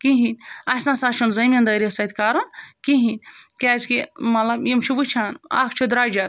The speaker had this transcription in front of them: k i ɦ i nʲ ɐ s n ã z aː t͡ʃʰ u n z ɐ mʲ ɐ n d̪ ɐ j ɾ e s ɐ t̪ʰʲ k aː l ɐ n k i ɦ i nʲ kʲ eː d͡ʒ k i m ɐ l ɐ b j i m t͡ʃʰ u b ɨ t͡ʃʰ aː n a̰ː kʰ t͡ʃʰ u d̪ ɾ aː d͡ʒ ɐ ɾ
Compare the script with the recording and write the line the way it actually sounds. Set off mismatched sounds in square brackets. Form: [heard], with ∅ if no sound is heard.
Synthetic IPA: k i ɦ i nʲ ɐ s n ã [s] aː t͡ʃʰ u n z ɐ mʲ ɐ n d̪ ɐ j ɾ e s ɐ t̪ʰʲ k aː [ɾ] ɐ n k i ɦ i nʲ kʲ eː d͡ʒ k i m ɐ l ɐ b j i m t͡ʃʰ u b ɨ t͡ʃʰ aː n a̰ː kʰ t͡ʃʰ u d̪ ɾ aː d͡ʒ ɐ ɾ